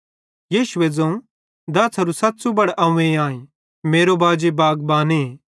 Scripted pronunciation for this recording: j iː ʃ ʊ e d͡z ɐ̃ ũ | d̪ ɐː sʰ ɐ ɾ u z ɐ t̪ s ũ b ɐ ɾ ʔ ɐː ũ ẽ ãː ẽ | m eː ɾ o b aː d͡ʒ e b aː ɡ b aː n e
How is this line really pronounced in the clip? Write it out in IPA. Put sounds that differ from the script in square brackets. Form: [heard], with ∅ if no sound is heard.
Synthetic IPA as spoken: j iː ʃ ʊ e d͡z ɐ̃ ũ | d̪ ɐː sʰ ɐ ɾ u [s] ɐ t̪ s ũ b ɐ [ɽ] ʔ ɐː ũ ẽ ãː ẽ | m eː ɾ o b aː d͡ʒ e b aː ɡ b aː n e